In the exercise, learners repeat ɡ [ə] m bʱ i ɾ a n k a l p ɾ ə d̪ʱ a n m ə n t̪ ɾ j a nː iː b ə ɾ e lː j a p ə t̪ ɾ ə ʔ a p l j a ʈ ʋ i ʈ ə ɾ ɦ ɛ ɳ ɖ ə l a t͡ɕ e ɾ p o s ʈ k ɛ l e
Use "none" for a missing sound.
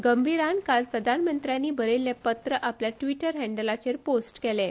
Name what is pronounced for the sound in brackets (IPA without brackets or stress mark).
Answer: ə